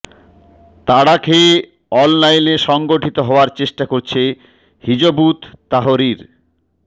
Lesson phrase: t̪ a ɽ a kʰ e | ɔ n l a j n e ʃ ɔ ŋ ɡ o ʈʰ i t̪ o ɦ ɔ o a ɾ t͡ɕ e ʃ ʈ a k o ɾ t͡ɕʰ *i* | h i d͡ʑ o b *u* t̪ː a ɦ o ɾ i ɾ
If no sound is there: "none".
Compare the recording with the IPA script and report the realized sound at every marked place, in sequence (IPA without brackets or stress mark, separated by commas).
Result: e, u